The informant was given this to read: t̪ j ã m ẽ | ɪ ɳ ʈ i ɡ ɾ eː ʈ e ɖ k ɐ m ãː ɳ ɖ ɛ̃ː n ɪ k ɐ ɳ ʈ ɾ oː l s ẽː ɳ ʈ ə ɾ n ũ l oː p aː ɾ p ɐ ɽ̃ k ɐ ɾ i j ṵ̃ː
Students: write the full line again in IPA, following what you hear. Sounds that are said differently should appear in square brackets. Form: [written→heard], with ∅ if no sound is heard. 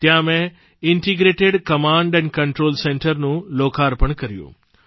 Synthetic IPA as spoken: t̪ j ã m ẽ | ɪ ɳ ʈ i ɡ ɾ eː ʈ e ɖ k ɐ m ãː ɳ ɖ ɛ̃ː n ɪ k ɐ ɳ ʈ ɾ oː l s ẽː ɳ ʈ ə ɾ n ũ l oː [p→k] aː ɾ p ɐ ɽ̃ k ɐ ɾ i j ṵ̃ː